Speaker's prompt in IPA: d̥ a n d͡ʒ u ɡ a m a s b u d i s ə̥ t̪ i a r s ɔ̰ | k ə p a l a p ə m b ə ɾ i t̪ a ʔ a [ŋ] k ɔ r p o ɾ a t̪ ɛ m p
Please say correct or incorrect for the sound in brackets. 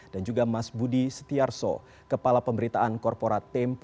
incorrect